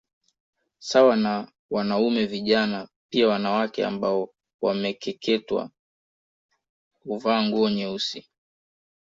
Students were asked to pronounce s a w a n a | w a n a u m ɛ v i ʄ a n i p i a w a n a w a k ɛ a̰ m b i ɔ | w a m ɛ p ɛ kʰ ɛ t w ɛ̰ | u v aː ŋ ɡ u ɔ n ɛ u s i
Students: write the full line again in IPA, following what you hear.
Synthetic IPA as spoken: s a w a n a | w a n a u m ɛ v i ʄ a n a p i a w a n a w a k ɛ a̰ m b a ɔ | w a m ɛ k ɛ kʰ ɛ t w a̰ | u v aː ŋ ɡ u ɔ ɲ ɛ u s i

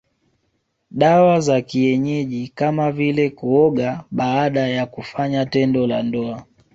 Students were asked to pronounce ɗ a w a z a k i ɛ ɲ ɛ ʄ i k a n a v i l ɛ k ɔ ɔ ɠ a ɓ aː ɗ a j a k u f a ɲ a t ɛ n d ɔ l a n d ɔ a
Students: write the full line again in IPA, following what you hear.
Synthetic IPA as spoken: ɗ a w a z a k i ɛ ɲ ɛ ʄ i k a m a v i l ɛ k u ɔ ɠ a ɓ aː ɗ a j a k u f a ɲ a t ɛ n d ɔ l a n d ɔ a

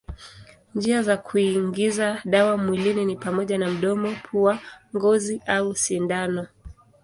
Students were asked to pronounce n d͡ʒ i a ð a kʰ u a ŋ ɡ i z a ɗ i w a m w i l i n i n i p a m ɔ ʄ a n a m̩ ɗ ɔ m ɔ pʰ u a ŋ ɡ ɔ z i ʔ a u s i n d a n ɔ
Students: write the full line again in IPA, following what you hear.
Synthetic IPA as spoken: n d͡ʒ i a z a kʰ u i ŋ ɡ i z a ɗ a w a m w i l i n i n i p a m ɔ ʄ a n a m̩ ɗ ɔ m ɔ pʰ u a ŋ ɡ ɔ z i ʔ a u s i n d a n ɔ

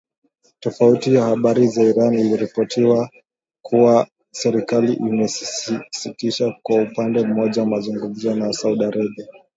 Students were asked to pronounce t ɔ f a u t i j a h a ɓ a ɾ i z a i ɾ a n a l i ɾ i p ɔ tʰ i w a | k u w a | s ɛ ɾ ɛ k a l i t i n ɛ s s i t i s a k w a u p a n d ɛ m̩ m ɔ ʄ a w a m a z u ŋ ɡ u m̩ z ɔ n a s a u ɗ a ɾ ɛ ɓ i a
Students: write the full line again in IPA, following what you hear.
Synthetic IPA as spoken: t ɔ f a u t i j a h a ɓ a ɾ i z a i ɾ a n i l i ɾ i p ɔ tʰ i w a | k u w a | s ɛ ɾ i k a l i ʔ i m ɛ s s i t i ʃ a k w a u p a n d ɛ m̩ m ɔ ʄ a w a m a z u ŋ ɡ u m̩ z ɔ n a s a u ɗ a ɾ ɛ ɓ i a

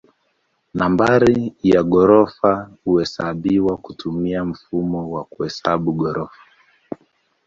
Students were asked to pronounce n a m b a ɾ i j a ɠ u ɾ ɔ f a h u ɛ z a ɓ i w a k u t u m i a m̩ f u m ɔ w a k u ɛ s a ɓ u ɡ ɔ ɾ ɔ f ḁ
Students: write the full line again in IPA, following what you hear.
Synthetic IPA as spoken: n a m b a ɾ i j a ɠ ɔ ɾ ɔ f a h u ɛ s a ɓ i w a k u t u m i a m̩ f u m ɔ w a k u ɛ s a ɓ u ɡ ɔ ɾ ɔ f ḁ

